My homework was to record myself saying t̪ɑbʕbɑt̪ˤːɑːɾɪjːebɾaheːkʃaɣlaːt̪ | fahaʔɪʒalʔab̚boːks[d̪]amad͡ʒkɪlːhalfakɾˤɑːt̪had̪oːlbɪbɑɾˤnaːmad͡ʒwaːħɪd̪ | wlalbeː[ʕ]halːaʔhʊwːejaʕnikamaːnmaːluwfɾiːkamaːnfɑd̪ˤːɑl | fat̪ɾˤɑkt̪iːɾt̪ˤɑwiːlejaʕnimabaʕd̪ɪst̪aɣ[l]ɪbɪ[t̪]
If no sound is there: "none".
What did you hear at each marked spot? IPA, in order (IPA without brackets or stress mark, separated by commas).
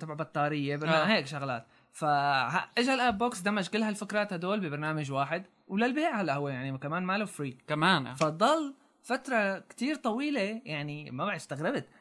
d̪, ʕ, ɾ, t̪